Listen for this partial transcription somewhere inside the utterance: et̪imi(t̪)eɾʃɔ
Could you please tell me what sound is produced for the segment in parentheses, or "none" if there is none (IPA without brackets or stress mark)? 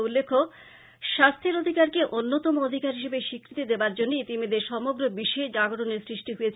d̪